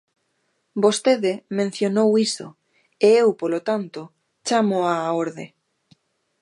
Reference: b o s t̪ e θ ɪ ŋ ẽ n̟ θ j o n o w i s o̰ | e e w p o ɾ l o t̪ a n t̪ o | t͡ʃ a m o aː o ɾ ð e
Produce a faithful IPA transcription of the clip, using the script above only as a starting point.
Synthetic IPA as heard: b o s t̪ e ð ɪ m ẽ n̟ θ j o n o w i s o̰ | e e w p o l o t̪ a n t̪ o | t͡ʃ a m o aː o ɾ ð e